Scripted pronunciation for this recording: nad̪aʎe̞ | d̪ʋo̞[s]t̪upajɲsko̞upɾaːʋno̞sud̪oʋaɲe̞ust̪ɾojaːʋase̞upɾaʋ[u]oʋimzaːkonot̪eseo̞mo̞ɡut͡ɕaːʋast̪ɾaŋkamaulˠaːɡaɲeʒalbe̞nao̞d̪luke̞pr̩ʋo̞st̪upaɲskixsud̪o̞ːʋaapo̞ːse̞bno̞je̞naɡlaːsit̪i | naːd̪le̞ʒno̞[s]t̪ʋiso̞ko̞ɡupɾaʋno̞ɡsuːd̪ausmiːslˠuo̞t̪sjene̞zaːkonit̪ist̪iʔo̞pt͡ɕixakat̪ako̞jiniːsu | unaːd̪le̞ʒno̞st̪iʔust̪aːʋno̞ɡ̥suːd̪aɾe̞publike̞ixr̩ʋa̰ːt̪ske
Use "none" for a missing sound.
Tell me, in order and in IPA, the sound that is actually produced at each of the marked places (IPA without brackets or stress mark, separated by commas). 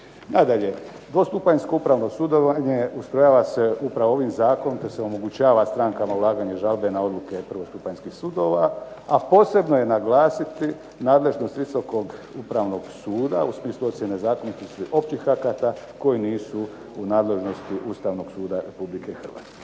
s, o, s